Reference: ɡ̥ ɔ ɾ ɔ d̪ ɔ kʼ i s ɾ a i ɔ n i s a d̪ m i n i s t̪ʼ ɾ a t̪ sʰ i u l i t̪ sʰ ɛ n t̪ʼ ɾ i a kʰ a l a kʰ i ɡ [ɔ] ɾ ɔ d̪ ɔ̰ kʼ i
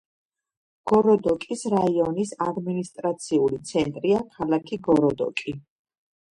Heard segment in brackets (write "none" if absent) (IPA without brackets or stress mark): ɔ